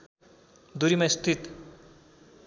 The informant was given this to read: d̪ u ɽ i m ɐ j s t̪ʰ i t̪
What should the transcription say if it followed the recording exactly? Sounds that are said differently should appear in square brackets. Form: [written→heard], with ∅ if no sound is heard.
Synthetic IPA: d̪ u [ɽ→ɾ] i m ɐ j s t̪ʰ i t̪